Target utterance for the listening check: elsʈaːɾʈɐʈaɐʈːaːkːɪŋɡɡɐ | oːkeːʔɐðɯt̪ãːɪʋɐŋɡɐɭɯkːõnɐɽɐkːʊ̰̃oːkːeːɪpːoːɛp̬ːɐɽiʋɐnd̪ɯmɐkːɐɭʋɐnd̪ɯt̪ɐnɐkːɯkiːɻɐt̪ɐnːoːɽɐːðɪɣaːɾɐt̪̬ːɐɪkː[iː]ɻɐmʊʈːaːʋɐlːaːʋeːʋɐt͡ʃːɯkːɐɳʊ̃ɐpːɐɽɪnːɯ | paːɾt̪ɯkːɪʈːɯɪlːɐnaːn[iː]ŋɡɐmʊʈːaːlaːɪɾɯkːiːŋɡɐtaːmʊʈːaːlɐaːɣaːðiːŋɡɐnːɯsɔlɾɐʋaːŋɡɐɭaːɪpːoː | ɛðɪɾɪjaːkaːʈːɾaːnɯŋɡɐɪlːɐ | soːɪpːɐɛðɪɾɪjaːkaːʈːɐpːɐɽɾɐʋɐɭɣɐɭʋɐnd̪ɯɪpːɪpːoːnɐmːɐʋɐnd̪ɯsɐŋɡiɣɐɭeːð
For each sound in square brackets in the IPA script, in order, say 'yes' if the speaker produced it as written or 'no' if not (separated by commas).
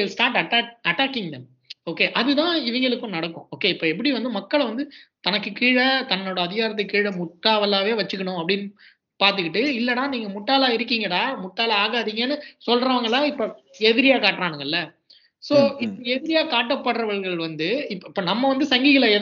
yes, yes